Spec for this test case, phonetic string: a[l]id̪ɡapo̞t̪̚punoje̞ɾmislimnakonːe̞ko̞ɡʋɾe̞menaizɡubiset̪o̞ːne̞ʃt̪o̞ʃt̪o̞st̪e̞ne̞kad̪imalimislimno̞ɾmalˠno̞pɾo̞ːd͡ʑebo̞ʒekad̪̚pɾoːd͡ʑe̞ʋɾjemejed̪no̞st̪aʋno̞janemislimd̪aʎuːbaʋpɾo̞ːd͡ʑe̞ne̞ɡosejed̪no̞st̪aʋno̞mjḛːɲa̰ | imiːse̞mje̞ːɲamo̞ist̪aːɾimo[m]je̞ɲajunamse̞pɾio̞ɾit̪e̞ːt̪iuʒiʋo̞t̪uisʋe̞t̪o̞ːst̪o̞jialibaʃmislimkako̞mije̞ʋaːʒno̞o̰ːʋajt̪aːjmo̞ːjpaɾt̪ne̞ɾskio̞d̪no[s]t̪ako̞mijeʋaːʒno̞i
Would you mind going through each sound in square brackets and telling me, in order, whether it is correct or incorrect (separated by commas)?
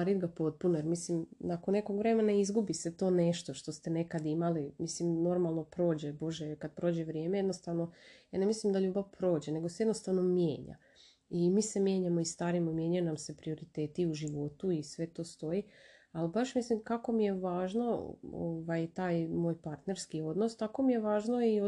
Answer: incorrect, correct, correct